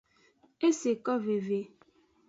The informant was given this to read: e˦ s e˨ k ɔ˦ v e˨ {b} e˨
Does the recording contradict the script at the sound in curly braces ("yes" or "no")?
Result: yes